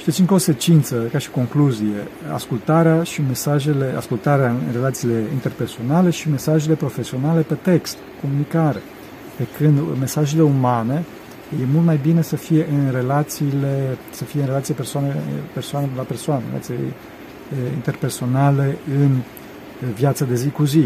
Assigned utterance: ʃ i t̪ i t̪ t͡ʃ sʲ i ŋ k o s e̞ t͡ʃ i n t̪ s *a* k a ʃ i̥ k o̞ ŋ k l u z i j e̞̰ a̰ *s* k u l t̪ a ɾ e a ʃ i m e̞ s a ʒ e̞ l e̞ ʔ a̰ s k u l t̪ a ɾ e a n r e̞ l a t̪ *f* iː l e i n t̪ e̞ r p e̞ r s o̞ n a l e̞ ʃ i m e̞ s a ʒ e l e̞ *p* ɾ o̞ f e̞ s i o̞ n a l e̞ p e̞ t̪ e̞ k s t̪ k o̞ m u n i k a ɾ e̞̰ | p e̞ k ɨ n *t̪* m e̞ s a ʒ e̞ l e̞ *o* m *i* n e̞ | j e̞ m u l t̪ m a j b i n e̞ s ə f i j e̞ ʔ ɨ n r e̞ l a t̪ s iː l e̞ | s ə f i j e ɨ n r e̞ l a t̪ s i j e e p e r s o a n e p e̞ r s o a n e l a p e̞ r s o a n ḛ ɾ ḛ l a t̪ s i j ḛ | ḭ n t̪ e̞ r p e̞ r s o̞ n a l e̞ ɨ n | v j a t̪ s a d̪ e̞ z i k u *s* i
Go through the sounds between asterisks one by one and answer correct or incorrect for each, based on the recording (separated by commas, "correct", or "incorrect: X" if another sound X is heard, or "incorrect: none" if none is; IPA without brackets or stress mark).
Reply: incorrect: ə, correct, incorrect: s, correct, incorrect: d̪, incorrect: u, incorrect: a, incorrect: z